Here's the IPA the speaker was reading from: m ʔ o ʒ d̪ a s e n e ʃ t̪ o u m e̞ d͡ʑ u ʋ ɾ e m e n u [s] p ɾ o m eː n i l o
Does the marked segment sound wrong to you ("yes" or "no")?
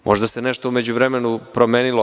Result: yes